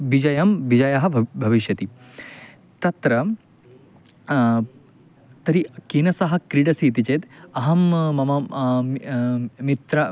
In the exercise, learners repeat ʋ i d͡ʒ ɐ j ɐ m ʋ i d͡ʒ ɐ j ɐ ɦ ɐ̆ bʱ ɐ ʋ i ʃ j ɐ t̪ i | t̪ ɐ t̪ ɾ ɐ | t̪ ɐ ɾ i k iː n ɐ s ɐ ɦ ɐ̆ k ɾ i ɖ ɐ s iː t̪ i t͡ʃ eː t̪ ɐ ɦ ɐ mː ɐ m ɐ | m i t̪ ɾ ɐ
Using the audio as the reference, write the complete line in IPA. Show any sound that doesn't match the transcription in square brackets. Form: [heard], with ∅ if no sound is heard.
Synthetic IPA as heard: ʋ i d͡ʒ ɐ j ɐ m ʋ i d͡ʒ ɐ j ɐ ɦ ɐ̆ bʱ ɐ ʋ i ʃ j ɐ t̪ i | t̪ ɐ t̪ ɾ ɐ | t̪ ɐ ɾ i k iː n ɐ s ɐ ɦ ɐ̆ k ɾ i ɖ ɐ s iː t̪ i t͡ʃ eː t̪ ɐ ɦ ɐ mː ɐ m ɐ | m i t̪ ɾ ɐ